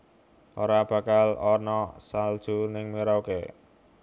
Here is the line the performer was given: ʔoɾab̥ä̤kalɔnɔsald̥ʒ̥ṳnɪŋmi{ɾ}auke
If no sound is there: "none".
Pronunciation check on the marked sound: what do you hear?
ɾ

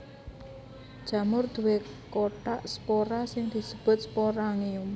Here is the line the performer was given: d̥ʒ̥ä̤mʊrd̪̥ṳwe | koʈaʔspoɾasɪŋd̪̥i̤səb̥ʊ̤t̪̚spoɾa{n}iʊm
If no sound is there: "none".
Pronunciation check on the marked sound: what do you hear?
ŋ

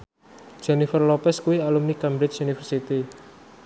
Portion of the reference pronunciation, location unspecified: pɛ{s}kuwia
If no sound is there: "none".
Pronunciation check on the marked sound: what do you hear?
s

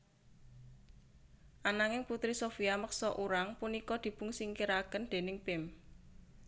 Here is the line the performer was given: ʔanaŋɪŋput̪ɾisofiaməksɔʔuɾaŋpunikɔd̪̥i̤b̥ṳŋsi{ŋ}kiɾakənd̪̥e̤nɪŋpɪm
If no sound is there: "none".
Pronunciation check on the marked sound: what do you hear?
ŋ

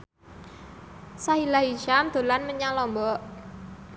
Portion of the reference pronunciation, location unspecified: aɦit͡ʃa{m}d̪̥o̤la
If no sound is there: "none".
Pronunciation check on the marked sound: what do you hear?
m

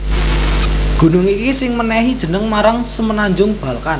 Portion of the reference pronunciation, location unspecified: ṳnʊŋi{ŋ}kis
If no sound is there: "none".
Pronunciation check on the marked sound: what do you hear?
none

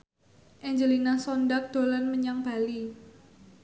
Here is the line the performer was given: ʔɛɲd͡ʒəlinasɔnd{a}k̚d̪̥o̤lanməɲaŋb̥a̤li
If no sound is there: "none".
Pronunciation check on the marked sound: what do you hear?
a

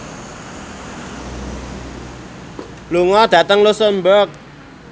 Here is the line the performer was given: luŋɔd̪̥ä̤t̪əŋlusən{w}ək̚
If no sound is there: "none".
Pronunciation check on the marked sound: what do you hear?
b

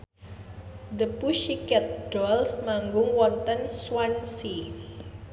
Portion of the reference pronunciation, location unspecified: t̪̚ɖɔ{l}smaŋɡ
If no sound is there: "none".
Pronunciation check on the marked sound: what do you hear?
l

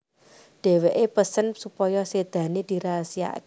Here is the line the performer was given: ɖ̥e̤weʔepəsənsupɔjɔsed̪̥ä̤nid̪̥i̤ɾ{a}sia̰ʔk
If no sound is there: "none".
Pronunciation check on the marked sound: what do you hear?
a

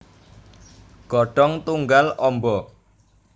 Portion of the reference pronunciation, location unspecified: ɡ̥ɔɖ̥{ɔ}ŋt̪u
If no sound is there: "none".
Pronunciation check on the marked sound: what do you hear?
ɔ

